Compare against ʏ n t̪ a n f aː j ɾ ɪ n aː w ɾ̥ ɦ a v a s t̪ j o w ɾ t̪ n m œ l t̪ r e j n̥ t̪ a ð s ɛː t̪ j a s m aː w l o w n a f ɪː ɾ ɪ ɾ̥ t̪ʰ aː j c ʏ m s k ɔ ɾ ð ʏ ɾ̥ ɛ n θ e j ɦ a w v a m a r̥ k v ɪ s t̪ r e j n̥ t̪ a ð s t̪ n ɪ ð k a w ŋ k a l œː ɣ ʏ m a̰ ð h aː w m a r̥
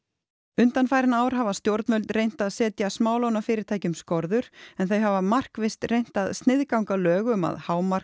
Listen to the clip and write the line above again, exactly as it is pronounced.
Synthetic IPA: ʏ n t̪ a n f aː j ɾ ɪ n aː w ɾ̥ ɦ a v a s t̪ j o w ɾ t̪ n m œ l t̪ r e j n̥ t̪ a ð s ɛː t̪ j a s m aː w l o w n a f ɪː ɾ ɪ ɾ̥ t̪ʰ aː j c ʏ m s k ɔ ɾ ð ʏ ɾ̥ ɛ n θ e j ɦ a v a m a r̥ k v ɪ s t̪ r e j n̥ t̪ a ð s t̪ n ɪ ð k a w ŋ k a l œː ɣ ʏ m a̰ ð h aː w m a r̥